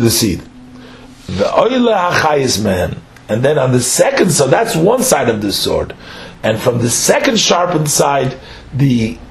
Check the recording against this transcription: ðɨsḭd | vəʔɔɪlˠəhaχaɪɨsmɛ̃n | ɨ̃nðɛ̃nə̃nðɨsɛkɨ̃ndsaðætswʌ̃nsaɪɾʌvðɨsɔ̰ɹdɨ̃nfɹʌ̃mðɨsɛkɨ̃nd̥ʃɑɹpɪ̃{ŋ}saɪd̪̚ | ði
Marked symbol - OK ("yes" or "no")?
no